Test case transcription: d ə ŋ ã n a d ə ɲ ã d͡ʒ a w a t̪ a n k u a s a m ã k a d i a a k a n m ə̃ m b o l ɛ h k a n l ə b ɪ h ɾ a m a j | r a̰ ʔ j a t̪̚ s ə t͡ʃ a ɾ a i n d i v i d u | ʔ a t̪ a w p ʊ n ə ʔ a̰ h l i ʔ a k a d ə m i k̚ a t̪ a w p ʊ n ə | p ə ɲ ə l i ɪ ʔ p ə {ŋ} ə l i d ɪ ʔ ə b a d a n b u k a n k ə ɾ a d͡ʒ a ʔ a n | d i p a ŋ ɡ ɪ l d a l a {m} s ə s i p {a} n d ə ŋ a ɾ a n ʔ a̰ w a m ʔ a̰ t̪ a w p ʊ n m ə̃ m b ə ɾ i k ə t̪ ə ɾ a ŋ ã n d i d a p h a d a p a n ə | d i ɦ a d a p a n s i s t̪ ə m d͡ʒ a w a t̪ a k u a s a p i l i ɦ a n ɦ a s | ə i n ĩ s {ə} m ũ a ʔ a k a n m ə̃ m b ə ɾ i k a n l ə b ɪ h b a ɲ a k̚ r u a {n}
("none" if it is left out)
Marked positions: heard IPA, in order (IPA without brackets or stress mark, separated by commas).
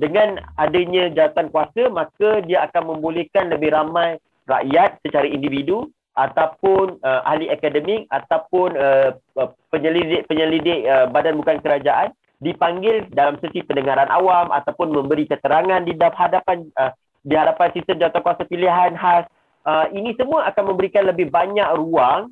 ɲ, m, ə, ə, ŋ